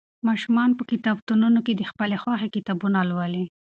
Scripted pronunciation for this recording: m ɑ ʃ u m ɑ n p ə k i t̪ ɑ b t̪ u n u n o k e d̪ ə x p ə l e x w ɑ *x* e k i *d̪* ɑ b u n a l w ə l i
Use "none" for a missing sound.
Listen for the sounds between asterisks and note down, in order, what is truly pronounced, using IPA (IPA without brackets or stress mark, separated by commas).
x, t̪